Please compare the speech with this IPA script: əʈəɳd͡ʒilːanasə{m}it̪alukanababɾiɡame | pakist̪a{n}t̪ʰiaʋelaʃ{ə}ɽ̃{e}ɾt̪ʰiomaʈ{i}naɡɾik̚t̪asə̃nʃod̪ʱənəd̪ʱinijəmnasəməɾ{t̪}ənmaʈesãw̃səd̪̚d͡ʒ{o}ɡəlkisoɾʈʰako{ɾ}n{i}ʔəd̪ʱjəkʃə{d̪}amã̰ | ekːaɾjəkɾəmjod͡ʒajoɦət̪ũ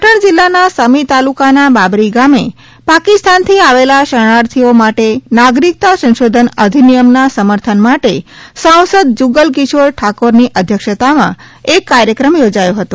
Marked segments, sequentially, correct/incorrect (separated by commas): correct, correct, correct, incorrect, incorrect, incorrect, incorrect, correct, correct, incorrect